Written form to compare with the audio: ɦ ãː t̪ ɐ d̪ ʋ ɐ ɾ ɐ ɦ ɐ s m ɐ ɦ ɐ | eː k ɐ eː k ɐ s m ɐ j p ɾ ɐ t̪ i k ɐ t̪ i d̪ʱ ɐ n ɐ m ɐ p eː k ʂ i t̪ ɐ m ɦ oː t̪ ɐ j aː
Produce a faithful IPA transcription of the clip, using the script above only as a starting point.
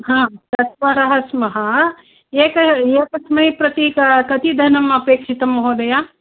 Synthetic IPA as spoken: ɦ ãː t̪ ɐ t̪ ʋ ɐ ɾ ɐ ɦ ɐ s m ɐ ɦ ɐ | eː k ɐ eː k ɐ s m ɐ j p ɾ ɐ t̪ i k ɐ t̪ i d̪ʱ ɐ n ɐ m ɐ p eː k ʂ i t̪ ɐ m ɦ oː d̪ ɐ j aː